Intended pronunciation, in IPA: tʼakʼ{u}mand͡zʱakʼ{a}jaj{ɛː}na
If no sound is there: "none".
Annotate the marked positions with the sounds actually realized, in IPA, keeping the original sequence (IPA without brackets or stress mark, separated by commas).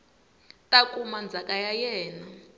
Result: u, a, ɛː